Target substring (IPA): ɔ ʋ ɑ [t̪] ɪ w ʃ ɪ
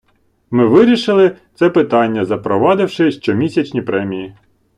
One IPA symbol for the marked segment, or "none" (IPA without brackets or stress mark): d̪